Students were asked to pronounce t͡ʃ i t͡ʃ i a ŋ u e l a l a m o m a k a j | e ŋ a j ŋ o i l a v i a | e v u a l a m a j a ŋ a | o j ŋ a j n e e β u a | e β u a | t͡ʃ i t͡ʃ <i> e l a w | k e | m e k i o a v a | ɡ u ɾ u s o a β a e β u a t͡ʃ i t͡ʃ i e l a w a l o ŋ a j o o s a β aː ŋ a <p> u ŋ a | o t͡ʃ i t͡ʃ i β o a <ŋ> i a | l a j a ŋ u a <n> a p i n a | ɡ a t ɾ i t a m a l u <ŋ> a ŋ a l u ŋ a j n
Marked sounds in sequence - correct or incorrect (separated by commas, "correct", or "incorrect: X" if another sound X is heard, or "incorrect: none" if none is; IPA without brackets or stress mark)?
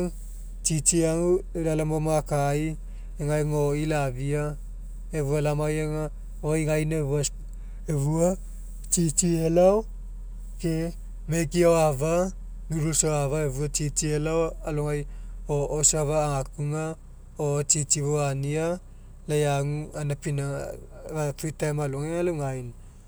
correct, incorrect: k, incorrect: n, correct, correct